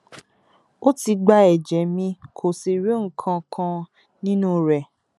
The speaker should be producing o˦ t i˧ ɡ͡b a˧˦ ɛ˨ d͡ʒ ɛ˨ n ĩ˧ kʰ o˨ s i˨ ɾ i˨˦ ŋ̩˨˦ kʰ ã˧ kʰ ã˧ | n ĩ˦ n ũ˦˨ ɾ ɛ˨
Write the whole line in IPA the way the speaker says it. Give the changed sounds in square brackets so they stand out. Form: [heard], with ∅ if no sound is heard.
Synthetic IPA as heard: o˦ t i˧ ɡ͡b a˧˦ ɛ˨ d͡ʒ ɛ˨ [m] ĩ˧ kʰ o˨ s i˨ ɾ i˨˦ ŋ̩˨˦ kʰ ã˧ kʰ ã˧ | n ĩ˦ n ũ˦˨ ɾ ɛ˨